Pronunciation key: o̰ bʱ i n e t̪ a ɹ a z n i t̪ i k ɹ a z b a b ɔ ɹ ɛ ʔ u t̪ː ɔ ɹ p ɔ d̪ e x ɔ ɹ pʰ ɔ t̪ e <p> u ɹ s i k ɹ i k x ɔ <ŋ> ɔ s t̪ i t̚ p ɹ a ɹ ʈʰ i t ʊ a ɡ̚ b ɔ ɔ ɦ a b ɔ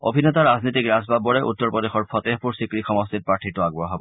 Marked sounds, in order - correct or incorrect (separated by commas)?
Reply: correct, incorrect